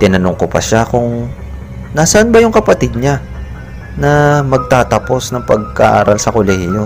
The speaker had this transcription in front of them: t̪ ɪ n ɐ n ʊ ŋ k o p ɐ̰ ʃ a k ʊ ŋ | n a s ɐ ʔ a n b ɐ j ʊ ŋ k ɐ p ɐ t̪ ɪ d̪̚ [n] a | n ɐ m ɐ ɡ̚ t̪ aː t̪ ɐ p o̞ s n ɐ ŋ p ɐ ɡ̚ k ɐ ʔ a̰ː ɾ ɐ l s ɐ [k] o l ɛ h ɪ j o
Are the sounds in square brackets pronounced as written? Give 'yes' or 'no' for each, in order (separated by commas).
no, yes